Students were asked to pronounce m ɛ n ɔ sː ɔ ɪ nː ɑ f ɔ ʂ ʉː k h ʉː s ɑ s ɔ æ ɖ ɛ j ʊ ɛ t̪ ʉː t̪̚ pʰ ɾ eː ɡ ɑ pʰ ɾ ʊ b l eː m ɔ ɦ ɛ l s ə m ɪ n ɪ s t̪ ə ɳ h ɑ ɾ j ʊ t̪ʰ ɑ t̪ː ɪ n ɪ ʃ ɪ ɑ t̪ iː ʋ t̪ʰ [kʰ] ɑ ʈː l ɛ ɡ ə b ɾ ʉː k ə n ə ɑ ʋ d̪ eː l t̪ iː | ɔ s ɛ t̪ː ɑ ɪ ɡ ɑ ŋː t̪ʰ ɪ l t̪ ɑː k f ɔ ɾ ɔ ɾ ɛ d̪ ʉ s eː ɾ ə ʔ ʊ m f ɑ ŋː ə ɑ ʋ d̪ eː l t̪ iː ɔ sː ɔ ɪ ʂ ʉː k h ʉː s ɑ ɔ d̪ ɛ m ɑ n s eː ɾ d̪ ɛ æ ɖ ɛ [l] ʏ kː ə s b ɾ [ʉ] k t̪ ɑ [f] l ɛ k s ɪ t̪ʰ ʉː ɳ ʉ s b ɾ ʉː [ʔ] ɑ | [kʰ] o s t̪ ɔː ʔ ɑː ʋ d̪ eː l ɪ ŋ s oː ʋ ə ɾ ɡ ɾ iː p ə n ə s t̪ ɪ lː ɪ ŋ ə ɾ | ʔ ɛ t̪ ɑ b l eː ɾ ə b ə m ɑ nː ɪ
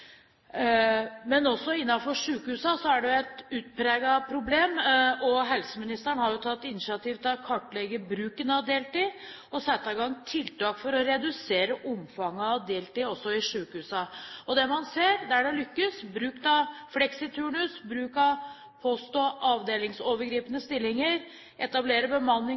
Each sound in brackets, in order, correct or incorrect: correct, correct, incorrect: ʉː, correct, incorrect: k, incorrect: pʰ

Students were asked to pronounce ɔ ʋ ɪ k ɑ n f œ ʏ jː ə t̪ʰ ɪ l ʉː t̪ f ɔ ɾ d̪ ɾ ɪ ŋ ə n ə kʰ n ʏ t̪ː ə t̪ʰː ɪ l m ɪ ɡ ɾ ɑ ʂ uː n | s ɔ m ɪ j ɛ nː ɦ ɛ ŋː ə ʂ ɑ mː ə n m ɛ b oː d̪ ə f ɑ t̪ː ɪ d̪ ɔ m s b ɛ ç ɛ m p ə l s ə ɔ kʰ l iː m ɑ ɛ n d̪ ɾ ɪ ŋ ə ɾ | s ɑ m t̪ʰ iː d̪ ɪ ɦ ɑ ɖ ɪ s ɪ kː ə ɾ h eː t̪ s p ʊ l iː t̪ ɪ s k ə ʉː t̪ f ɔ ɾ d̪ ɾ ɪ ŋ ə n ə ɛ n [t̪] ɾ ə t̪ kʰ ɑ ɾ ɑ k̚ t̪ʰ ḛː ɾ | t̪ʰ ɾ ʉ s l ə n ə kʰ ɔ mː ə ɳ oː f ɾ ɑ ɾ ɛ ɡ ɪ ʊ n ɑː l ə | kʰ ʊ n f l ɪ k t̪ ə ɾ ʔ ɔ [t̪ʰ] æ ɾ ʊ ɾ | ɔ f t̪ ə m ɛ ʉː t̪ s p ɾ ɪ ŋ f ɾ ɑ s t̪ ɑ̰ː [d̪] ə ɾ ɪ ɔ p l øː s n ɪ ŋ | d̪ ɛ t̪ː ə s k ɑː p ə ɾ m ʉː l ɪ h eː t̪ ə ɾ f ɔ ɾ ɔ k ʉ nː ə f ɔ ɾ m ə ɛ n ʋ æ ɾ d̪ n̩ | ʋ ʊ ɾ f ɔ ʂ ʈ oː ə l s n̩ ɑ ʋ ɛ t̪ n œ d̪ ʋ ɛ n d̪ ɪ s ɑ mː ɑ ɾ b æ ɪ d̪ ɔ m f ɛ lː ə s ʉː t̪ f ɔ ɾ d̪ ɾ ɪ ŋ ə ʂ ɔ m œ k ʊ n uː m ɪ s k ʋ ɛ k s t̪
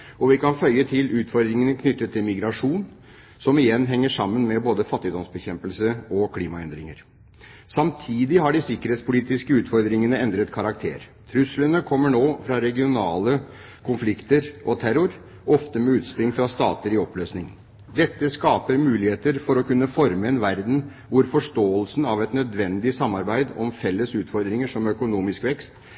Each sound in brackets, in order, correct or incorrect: incorrect: d̪, correct, incorrect: t̪

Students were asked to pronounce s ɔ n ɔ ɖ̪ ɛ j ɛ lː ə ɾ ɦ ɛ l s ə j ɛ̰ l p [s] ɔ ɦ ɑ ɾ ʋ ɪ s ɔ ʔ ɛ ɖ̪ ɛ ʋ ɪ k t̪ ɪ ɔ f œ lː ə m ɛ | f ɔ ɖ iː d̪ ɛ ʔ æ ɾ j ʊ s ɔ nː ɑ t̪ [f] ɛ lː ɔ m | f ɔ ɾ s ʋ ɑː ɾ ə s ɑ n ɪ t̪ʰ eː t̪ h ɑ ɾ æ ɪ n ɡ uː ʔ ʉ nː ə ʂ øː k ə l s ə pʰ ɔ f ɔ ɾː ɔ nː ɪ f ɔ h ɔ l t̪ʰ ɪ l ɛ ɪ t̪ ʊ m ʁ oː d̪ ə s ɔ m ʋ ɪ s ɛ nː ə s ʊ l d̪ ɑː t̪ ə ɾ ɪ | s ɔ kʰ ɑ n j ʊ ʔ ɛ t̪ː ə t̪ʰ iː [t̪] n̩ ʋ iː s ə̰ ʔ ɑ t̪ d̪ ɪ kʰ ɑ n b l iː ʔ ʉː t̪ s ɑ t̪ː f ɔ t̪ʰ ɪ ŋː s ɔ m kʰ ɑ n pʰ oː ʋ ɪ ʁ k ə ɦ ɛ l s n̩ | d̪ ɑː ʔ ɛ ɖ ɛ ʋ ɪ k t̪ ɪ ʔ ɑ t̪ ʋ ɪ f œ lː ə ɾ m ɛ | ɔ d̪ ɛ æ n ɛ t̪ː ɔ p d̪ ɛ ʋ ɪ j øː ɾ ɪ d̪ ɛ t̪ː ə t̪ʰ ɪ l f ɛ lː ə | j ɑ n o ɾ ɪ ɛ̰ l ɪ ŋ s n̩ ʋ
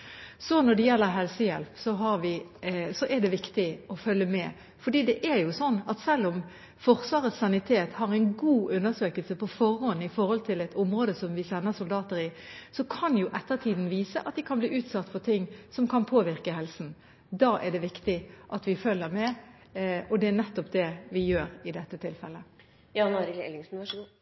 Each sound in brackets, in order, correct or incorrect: correct, incorrect: s, incorrect: d̪

